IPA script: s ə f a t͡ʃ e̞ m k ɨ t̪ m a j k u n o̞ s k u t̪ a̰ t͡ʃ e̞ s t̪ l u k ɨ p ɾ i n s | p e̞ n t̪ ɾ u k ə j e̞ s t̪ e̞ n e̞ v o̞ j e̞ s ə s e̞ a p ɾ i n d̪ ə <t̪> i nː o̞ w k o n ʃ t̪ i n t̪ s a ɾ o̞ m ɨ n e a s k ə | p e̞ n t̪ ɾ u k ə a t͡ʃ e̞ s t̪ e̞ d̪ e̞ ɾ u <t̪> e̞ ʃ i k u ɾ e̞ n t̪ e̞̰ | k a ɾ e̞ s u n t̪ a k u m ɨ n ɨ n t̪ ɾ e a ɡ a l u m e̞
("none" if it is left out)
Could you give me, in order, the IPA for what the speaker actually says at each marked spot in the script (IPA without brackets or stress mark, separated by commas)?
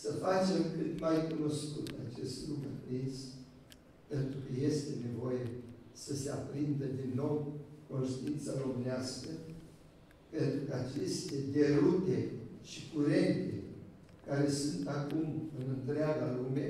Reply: d̪, t̪